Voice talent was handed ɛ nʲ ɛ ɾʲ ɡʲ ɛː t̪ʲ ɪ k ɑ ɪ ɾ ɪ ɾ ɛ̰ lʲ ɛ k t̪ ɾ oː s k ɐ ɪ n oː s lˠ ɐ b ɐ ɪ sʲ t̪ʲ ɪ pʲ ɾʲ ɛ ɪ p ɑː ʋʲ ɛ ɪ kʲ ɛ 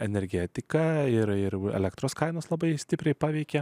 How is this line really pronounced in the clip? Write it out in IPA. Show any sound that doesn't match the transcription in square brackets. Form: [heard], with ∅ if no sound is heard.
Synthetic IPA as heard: ɛ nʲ ɛ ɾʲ ɡʲ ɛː t̪ʲ ɪ k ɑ ɪ ɾ ɪ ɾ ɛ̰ lʲ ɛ k t̪ ɾ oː s k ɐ ɪ n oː s lˠ ɐ b ɐ ɪ sʲ t̪ʲ ɪ pʲ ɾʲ ɛ ɪ p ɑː ʋʲ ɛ ɪ kʲ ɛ